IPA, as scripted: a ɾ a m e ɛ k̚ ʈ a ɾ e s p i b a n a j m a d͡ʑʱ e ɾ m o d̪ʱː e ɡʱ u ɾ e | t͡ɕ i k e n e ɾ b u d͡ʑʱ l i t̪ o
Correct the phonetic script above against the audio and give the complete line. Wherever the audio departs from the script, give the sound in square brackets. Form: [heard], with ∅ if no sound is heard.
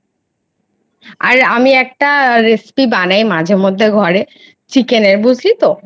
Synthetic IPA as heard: a ɾ a m [i] ɛ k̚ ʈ a ɾ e s p i b a n a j m a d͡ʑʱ e ɾ m o d̪ʱː e ɡʱ [ɔ] ɾ e | t͡ɕ i k e n e ɾ b u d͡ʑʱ l i t̪ o

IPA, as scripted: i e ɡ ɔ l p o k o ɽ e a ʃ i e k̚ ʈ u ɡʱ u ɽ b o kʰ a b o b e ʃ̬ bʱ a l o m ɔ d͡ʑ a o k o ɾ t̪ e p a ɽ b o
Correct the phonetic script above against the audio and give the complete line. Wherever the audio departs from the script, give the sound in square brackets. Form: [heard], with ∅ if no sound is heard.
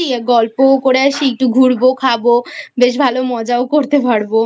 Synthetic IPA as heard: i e ɡ ɔ l p o k o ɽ e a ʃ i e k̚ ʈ u ɡʱ u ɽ b o kʰ a b o b e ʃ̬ bʱ a l o m ɔ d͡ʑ a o k o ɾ t̪ e p a ɽ b o

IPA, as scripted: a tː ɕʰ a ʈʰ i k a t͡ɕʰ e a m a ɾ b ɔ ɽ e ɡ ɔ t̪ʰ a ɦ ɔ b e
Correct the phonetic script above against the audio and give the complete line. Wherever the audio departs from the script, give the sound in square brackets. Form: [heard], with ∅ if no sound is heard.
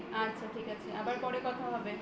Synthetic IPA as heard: a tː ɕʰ a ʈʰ i k a t͡ɕʰ e a [b] a ɾ [p] ɔ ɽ e [k] ɔ t̪ʰ a ɦ ɔ b e

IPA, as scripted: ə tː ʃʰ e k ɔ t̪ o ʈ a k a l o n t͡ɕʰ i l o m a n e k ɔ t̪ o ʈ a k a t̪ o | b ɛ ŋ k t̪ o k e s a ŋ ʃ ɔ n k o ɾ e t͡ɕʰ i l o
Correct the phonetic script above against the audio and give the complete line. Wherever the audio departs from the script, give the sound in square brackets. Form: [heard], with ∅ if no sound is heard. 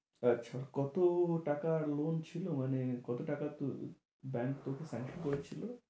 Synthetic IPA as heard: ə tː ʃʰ [a] k ɔ t̪ o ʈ a k a l o n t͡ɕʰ i l o m a n e k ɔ t̪ o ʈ a k a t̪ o | b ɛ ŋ k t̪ o k e s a ŋ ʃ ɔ n k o ɾ e t͡ɕʰ i l o

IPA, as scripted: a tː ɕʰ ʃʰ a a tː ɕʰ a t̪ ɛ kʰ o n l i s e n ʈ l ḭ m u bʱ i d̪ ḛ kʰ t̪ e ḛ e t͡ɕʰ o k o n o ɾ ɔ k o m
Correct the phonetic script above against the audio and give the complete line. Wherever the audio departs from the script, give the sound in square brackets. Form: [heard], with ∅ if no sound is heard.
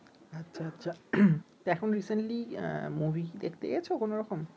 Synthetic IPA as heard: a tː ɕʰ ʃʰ a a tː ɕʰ a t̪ ɛ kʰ o n [ɾ] i s e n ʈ l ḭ m u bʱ i d̪ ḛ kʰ t̪ e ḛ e t͡ɕʰ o k o n o ɾ ɔ k o m

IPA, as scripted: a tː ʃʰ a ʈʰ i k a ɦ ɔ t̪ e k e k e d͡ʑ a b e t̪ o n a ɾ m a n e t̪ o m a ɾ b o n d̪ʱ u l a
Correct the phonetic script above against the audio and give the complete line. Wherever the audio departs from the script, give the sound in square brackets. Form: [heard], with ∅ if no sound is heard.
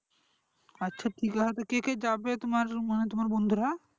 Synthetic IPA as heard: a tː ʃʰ a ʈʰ i k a ɦ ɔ t̪ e k e k e d͡ʑ a b e t̪ o [m] a ɾ m a n e t̪ o m a ɾ b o n d̪ʱ u [ɾ] a

